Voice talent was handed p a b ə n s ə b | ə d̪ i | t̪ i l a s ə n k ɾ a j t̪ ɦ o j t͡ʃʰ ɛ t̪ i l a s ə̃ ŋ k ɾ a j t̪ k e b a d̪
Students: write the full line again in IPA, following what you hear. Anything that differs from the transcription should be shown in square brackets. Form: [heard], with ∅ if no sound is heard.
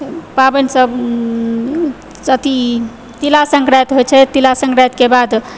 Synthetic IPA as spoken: p a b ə n s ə b | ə [t̪] i | t̪ i l a s ə [ŋ] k ɾ a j t̪ ɦ o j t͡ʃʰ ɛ t̪ i l a s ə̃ ŋ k ɾ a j t̪ k e b a d̪